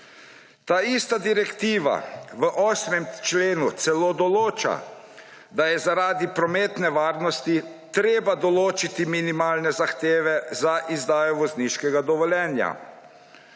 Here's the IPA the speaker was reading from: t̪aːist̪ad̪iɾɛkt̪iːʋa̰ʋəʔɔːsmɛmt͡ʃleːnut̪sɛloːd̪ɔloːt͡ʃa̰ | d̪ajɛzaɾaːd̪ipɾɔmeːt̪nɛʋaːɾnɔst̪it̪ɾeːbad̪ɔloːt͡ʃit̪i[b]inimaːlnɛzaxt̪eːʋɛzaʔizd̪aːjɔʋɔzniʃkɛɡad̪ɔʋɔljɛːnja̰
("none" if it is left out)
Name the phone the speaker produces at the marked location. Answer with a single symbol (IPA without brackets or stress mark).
m